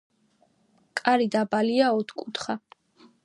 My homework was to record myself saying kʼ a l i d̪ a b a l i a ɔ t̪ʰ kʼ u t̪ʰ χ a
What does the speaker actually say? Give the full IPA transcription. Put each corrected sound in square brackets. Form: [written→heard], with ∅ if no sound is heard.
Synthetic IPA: kʼ a [l→ɾ] i d̪ a b a l i a ɔ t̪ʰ kʼ u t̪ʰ χ a